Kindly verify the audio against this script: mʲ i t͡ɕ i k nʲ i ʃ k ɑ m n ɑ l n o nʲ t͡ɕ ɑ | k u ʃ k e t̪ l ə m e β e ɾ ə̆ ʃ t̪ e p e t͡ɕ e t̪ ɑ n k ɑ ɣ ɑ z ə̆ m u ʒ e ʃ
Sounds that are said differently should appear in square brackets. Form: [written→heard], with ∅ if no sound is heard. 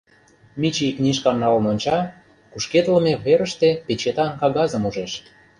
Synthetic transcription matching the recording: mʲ i t͡ɕ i k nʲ i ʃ k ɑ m n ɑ l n o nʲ t͡ɕ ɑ | k u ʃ k e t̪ l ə m e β e ɾ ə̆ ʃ t̪ e p e t͡ɕ e t̪ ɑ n k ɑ ɣ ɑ z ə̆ m u ʒ e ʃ